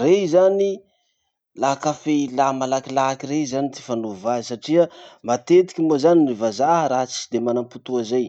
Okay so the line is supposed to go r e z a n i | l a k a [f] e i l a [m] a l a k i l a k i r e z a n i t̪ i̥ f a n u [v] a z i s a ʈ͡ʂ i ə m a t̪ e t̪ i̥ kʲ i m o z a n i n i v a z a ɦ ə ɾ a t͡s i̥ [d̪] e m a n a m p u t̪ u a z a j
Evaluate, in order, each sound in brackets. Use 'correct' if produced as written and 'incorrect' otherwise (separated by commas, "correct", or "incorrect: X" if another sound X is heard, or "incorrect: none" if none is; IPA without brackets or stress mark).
correct, correct, correct, correct